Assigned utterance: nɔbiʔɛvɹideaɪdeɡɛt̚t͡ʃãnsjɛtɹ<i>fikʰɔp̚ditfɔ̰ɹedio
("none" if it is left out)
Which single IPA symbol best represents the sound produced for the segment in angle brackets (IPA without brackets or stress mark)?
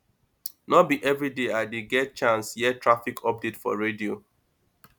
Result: a